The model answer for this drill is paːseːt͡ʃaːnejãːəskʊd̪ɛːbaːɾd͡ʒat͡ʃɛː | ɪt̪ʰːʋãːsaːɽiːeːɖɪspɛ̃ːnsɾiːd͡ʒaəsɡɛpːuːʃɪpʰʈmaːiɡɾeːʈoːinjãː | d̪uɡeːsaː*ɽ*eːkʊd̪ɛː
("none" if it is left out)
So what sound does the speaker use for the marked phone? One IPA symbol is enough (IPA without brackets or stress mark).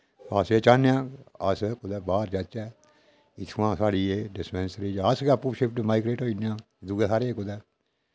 ɾ